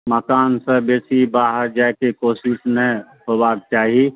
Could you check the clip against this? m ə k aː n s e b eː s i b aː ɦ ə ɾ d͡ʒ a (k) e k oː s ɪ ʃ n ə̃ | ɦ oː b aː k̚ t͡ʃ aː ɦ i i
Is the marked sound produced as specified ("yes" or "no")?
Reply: yes